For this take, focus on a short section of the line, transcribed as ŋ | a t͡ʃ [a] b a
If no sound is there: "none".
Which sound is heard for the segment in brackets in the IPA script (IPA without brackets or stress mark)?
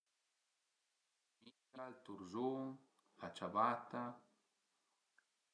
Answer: a